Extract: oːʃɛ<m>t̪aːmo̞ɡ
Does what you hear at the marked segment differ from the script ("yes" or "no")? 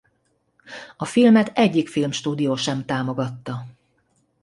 no